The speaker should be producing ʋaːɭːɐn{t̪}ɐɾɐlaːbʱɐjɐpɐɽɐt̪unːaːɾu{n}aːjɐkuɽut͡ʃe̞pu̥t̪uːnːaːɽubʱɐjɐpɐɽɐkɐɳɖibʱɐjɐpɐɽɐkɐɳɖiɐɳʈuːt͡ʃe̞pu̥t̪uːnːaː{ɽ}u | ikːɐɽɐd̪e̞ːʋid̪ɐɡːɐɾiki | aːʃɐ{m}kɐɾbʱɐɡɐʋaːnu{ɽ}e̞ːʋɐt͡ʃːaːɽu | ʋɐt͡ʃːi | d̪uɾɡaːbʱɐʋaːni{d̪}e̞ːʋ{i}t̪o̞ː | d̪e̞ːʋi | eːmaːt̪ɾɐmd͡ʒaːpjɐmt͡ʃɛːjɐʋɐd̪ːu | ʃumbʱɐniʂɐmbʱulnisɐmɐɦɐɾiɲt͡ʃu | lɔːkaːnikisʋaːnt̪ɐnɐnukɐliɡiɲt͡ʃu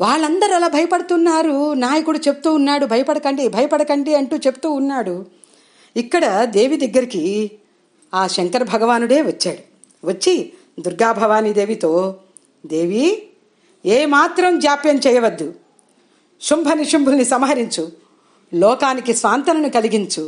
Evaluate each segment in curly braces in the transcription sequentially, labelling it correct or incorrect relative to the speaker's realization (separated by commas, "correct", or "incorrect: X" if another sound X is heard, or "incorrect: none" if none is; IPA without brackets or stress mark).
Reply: incorrect: d̪, correct, correct, incorrect: ŋ, correct, correct, correct